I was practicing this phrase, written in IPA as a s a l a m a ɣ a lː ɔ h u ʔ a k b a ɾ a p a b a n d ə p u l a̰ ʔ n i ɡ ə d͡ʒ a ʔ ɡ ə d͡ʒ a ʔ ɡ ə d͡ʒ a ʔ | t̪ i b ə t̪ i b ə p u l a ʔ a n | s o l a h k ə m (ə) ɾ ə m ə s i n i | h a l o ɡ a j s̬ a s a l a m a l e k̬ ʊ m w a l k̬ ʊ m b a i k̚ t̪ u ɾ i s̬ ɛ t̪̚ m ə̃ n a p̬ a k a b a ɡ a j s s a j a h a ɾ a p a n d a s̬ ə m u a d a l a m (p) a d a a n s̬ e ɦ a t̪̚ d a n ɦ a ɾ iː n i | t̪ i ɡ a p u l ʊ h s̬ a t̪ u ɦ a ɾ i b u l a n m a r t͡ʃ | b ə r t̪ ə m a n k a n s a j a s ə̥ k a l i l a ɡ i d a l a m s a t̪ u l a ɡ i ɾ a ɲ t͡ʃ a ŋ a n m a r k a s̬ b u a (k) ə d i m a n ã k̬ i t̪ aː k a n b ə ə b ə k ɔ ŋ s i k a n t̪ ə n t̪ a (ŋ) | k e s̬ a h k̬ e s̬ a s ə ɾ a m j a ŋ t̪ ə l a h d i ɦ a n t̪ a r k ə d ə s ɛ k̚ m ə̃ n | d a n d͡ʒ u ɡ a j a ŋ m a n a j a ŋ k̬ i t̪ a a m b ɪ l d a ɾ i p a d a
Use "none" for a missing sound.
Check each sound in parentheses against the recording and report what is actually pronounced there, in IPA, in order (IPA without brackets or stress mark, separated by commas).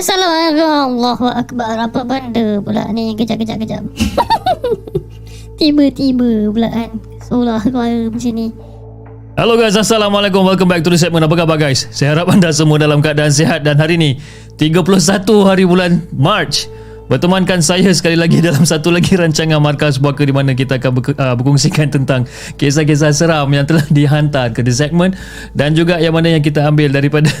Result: a, k, k, ŋ